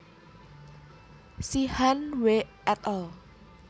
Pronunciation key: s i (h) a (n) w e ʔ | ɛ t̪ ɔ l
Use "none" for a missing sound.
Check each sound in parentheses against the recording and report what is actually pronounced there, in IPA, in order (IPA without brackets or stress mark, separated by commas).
h, n